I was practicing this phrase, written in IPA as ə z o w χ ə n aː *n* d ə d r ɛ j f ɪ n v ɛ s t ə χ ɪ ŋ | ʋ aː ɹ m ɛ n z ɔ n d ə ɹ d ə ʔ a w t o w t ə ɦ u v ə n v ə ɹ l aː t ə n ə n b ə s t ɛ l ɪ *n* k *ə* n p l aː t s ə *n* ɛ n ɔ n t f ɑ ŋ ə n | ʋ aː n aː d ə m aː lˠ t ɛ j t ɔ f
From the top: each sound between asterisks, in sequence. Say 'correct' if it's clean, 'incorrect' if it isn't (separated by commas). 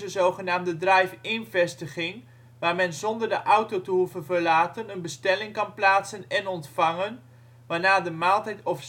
incorrect, incorrect, incorrect, correct